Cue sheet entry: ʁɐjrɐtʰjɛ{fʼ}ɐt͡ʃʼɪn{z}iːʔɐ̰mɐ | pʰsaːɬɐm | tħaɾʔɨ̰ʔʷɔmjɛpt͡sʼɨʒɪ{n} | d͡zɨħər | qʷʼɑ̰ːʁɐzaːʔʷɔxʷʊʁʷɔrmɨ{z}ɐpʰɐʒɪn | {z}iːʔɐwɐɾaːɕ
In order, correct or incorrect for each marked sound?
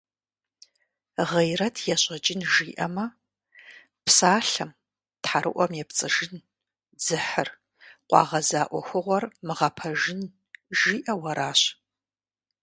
incorrect, incorrect, correct, incorrect, incorrect

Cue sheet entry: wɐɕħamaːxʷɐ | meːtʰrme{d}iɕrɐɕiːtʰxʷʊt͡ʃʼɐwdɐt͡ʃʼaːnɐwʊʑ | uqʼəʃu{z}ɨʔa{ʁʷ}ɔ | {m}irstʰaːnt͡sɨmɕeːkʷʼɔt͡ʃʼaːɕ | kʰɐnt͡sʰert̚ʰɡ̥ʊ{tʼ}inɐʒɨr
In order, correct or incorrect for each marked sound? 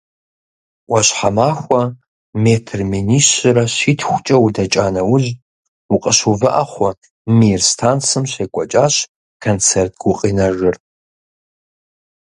incorrect, incorrect, incorrect, correct, incorrect

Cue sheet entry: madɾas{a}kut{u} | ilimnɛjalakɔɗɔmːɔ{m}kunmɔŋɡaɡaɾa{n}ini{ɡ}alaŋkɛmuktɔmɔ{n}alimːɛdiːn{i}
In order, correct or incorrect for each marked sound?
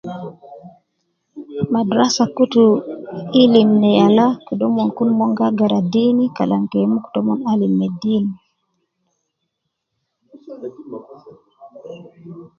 correct, correct, incorrect, incorrect, incorrect, correct, correct

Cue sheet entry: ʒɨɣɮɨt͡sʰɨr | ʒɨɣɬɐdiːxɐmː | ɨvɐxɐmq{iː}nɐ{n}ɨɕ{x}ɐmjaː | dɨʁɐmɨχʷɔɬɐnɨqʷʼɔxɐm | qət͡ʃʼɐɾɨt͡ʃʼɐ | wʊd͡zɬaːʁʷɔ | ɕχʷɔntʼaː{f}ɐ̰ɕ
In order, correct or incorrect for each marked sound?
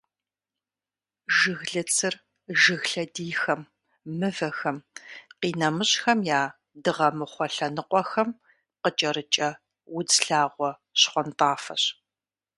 correct, incorrect, correct, correct

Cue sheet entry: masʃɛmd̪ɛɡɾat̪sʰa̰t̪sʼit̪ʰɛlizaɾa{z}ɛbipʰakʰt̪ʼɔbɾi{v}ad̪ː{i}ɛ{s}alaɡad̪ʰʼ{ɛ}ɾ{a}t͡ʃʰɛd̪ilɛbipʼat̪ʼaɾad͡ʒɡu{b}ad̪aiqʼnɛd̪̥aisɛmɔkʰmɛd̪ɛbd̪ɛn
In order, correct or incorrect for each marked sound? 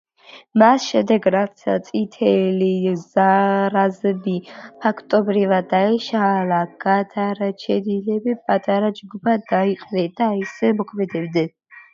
correct, correct, incorrect, incorrect, incorrect, correct, correct

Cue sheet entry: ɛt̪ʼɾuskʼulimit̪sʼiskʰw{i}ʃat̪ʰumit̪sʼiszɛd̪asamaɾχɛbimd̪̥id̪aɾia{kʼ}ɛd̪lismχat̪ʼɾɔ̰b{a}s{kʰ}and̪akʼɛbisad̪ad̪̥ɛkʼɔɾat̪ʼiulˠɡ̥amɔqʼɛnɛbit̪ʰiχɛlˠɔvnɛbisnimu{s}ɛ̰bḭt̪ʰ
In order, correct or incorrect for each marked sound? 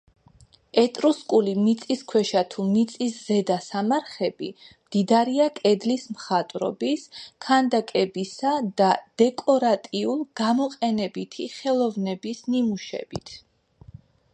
incorrect, correct, incorrect, correct, incorrect

